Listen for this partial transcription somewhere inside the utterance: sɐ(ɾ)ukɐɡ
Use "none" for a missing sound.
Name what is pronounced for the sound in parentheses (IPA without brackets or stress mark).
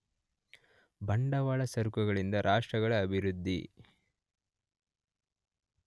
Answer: ɾ